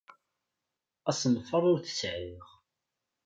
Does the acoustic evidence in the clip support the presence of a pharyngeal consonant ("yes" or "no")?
yes